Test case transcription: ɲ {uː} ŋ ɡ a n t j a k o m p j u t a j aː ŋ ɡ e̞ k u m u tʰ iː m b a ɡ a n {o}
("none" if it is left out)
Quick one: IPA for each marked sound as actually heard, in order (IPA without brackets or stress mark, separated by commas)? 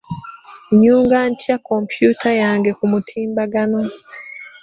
uː, o